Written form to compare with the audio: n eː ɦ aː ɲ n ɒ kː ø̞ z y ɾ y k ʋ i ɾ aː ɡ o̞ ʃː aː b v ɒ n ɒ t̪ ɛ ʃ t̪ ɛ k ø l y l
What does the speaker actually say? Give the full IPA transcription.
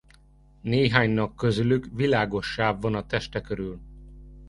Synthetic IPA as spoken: n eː ɦ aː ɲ n ɒ kː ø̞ z y l y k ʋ i l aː ɡ o̞ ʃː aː b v ɒ n ɒ t̪ ɛ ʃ t̪ ɛ k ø ɾ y l